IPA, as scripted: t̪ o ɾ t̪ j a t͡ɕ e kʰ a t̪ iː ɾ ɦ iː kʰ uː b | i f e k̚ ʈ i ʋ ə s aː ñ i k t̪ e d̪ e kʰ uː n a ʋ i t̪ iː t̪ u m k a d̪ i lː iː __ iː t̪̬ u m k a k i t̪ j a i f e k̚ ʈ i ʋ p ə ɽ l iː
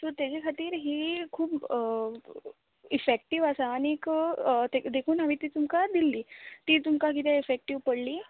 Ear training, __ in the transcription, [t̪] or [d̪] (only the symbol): t̪